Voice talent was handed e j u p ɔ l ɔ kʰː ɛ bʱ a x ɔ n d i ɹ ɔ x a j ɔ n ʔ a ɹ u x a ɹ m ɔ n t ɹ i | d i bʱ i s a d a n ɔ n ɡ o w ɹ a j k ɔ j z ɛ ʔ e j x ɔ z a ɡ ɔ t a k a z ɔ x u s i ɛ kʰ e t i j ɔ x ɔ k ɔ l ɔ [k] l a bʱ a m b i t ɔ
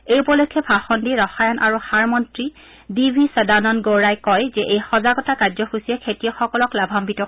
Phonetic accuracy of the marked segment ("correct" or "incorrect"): correct